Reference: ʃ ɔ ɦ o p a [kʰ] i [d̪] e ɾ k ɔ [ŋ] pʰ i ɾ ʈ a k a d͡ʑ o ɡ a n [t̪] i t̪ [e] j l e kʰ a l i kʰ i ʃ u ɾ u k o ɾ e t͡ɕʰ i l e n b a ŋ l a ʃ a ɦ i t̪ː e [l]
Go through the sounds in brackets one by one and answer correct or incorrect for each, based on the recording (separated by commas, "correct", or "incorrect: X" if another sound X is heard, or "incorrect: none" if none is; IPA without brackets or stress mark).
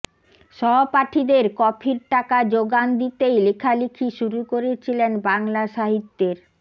incorrect: ʈʰ, correct, incorrect: none, incorrect: d̪, correct, incorrect: ɾ